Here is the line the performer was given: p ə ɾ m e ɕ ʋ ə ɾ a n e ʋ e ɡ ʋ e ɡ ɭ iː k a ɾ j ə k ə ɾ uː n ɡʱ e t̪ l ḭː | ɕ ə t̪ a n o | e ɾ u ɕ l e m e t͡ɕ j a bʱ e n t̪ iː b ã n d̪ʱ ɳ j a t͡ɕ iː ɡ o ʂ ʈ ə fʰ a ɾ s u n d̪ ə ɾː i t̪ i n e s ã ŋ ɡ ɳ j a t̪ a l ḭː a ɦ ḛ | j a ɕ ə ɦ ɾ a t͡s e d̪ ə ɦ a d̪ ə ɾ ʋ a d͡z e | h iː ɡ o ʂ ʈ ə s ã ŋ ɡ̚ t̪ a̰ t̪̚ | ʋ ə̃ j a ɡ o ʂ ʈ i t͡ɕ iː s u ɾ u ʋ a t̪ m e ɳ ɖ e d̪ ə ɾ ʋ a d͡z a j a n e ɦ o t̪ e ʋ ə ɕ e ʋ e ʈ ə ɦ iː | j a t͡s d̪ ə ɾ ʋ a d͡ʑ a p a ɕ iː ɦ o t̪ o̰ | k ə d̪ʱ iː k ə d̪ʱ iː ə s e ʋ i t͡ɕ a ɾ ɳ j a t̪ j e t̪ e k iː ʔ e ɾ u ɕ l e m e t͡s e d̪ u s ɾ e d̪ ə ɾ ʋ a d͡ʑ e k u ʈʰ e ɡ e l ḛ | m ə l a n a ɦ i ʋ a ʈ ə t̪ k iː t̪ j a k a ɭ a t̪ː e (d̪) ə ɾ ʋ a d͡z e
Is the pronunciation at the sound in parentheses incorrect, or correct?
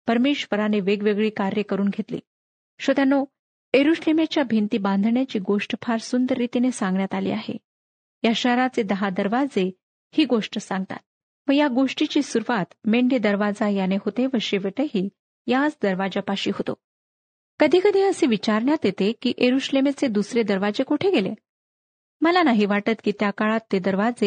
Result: correct